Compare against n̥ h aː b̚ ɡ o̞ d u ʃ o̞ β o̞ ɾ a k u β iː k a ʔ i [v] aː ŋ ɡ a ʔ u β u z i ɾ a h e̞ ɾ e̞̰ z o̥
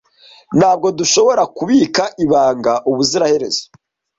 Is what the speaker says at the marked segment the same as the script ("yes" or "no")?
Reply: no